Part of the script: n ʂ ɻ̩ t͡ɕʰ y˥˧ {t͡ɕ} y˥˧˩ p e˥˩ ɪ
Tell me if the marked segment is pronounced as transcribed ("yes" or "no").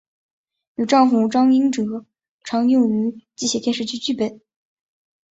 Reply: yes